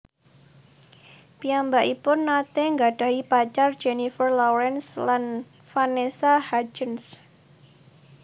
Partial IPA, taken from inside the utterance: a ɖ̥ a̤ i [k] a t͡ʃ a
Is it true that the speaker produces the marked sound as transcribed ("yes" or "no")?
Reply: no